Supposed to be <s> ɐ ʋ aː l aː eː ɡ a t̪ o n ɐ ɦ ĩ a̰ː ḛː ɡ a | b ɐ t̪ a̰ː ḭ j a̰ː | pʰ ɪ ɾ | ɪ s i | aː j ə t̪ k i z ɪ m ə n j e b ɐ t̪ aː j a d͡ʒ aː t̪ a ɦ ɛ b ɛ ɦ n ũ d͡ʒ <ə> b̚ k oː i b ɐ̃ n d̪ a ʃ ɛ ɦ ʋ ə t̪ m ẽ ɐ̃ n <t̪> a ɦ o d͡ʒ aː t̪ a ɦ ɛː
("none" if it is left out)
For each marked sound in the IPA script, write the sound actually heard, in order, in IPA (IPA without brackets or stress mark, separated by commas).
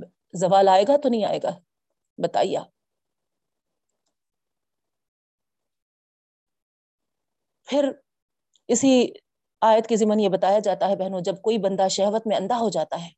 z, ɐ, d̪